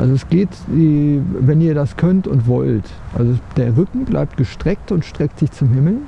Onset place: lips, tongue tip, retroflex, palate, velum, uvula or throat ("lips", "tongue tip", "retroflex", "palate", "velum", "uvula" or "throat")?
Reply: throat